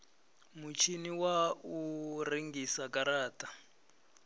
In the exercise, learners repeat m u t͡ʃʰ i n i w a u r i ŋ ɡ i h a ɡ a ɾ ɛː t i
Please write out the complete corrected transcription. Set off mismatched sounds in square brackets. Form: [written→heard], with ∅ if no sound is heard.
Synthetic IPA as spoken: m u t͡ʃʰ i n i w a u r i ŋ ɡ i [h→s] a [ɡ→k] a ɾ [ɛː→aː] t [i→a]